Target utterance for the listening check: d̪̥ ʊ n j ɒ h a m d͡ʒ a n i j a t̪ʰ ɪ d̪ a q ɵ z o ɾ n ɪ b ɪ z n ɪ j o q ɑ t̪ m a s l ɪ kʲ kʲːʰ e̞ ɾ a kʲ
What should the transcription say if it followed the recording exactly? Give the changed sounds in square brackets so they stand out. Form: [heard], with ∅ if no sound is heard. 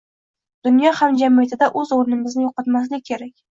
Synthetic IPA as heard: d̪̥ ʊ n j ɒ h a m d͡ʒ a [m] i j a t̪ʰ ɪ d̪ a [ʔ] ɵ z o ɾ n ɪ [m] ɪ z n ɪ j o q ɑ t̪ m a s l ɪ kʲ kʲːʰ e̞ ɾ a kʲ